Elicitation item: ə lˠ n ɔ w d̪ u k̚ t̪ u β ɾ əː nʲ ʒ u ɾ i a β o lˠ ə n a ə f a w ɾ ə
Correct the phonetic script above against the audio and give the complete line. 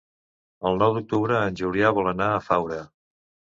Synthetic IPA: ə lˠ n ɔ w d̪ u k̚ t̪ u β ɾ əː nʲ ʒ u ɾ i a β ɔ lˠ ə n a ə f a w ɾ ə

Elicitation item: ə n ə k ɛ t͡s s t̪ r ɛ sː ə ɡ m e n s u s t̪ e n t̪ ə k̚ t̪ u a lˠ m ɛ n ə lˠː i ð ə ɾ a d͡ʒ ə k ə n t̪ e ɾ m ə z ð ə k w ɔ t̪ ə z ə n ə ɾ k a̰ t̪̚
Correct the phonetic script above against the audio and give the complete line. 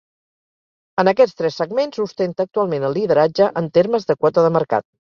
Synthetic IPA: ə n ə k ɛ t͡s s t̪ ɾ ɛ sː ə ɡ m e n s u s t̪ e n t̪ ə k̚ t̪ u a lˠ m e n ə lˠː i ð ə ɾ a d͡ʒ ə ʔ ə n t̪ e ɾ m ə z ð ə k w ɔ t̪ ə ð ə m ə ɾ k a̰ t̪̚

